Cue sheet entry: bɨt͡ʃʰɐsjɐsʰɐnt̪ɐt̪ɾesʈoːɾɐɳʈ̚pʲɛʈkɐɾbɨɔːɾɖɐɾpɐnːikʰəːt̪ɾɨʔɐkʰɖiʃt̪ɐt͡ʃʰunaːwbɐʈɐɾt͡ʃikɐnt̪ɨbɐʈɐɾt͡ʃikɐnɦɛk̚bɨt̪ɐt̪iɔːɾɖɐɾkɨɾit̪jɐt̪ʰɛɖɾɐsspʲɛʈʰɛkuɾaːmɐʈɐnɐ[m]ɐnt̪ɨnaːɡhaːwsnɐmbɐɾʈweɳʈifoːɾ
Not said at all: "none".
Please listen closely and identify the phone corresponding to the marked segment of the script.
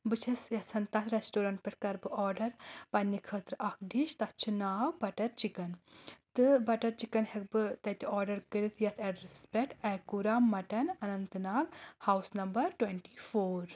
n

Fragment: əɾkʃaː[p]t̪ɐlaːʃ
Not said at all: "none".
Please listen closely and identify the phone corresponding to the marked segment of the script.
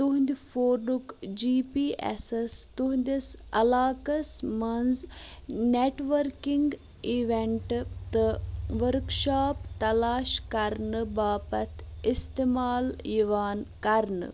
p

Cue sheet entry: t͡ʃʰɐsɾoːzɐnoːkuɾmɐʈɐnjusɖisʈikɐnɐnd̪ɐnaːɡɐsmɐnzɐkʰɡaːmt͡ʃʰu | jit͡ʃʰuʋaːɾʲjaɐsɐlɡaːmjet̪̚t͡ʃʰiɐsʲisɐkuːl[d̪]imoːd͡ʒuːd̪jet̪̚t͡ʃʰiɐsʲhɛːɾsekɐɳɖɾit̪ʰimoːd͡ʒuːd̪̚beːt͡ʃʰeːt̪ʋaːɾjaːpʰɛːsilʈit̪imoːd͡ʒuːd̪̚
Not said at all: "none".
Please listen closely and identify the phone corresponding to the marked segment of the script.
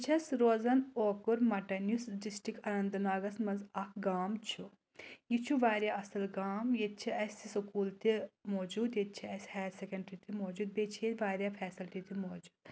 t̪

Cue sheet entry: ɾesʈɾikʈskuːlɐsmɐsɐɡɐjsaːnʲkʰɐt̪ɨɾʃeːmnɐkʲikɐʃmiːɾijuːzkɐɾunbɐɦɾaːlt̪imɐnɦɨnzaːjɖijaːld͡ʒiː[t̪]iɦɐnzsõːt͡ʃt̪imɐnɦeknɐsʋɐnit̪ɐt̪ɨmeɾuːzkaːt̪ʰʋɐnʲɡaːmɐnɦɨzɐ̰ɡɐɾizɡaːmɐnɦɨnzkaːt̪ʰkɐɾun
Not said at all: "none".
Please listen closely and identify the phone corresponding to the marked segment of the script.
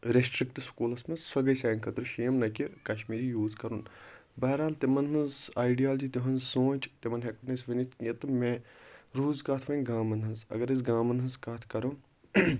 t̪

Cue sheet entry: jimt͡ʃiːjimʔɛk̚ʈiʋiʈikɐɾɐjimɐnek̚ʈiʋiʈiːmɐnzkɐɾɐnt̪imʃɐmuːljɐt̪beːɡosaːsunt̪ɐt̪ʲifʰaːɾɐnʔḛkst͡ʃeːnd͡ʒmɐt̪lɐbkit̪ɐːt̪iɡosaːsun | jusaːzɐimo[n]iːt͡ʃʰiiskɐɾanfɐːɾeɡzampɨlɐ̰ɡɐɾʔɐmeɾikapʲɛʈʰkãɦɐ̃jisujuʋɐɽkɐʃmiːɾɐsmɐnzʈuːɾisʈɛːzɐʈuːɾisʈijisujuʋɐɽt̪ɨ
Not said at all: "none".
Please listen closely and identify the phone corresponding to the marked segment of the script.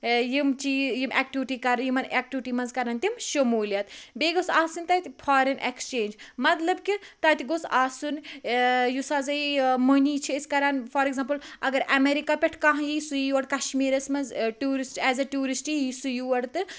n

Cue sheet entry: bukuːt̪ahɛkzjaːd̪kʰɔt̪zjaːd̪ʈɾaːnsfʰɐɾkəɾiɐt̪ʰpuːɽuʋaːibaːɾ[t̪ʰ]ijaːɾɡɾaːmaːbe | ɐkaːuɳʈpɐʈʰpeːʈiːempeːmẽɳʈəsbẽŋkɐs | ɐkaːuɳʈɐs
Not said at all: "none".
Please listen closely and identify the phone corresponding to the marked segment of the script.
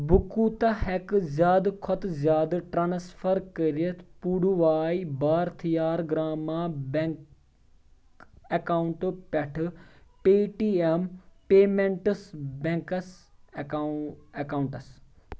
t̪ʰ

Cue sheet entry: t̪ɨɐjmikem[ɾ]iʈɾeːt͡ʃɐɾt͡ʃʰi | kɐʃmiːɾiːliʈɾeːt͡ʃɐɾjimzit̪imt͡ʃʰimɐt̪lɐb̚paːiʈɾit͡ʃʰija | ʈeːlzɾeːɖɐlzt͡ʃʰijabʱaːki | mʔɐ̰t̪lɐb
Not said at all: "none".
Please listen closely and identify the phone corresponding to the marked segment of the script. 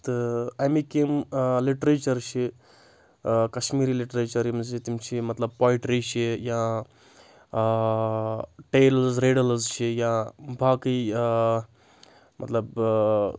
l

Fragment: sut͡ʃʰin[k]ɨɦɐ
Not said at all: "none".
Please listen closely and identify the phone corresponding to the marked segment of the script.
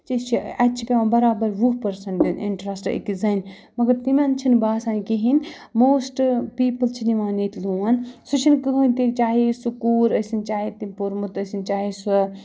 k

